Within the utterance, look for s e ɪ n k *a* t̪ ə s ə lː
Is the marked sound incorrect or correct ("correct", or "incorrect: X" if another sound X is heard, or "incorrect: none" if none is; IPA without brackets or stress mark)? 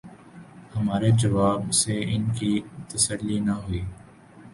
incorrect: i